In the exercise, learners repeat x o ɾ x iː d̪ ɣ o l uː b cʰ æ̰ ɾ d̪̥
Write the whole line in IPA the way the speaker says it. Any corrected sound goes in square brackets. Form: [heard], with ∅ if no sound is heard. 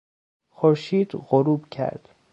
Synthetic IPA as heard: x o ɾ [ʃ] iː d̪ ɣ o [ɾ] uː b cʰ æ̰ ɾ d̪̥